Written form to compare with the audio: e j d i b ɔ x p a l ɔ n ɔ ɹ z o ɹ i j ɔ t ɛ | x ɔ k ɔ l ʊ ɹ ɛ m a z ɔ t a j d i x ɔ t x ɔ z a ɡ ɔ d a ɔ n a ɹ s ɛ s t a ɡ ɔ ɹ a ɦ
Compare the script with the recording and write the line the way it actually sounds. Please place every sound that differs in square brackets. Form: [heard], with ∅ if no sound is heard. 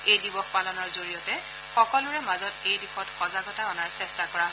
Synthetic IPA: e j d i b ɔ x p a l ɔ n ɔ ɹ z o ɹ i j ɔ t ɛ | x ɔ k ɔ l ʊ ɹ ɛ m a z ɔ t [e] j d i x ɔ t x ɔ z a ɡ ɔ [t] a ɔ n a ɹ s ɛ s t a [k] ɔ ɹ a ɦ